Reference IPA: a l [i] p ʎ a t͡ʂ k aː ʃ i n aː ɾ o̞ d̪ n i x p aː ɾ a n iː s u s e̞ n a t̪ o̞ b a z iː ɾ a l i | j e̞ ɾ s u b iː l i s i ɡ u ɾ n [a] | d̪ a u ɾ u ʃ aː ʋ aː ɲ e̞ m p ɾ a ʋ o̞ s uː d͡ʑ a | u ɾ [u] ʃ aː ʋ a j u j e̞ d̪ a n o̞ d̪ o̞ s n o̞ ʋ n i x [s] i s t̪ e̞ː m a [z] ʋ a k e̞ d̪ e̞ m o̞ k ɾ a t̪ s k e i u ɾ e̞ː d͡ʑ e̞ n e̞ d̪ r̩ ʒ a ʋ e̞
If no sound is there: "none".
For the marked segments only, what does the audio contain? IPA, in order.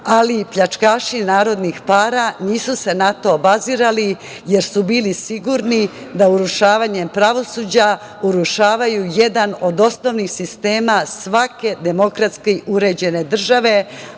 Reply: i, i, u, s, s

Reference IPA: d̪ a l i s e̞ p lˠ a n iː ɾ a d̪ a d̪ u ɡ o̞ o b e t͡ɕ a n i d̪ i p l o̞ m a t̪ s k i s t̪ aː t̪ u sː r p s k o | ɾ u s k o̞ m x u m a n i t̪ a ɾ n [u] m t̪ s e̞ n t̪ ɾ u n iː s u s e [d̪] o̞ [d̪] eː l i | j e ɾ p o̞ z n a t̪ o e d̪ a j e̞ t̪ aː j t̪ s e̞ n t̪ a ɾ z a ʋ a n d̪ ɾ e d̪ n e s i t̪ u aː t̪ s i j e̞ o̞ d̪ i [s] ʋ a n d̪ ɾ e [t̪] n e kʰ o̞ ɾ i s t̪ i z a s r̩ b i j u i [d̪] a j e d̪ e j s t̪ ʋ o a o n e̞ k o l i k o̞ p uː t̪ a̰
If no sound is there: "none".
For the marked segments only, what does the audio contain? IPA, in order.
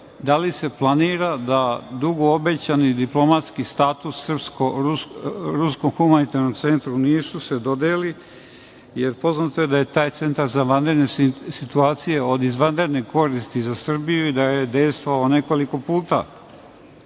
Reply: o, d̪, d̪, z, d̪, d̪

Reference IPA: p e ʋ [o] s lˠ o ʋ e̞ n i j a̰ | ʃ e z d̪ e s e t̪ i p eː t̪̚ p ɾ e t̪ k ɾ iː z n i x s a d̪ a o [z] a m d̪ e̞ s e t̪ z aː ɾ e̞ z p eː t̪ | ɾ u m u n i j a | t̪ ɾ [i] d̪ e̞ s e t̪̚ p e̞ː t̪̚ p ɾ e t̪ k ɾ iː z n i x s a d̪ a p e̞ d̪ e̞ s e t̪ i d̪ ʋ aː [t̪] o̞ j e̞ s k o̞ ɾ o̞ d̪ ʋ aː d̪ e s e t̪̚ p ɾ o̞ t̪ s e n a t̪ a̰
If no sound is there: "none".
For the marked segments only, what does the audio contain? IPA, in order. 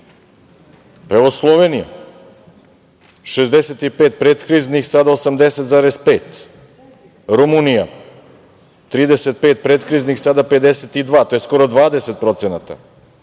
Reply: o, s, iː, t̪

